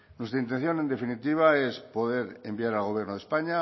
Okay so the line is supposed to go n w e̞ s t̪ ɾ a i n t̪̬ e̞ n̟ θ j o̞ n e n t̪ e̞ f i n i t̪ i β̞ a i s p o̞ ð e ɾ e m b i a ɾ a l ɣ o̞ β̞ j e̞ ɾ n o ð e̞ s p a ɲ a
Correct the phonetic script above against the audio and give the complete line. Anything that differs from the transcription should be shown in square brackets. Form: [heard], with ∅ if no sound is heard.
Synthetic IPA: n w e̞ s t̪ ɾ a i n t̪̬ e̞ n̟ θ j o̞ n e n [d̪] e̞ f i n i t̪ i β̞ a [e] s p o̞ ð e ɾ e m b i a ɾ a l ɣ o̞ β̞ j e̞ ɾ n o ð e̞ s p a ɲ a